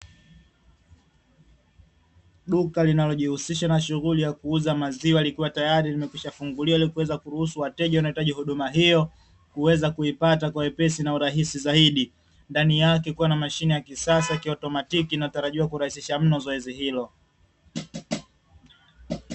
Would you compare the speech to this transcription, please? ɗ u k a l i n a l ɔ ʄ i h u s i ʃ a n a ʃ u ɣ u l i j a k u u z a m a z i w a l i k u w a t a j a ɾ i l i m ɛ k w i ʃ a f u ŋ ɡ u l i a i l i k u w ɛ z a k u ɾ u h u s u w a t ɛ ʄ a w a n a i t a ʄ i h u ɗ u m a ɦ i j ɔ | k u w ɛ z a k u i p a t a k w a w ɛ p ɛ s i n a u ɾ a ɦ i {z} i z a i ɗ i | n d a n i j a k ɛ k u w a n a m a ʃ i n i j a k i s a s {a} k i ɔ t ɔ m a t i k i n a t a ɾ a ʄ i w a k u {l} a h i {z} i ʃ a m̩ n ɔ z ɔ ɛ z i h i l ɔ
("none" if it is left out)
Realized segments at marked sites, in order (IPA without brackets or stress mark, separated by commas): s, a, ɾ, s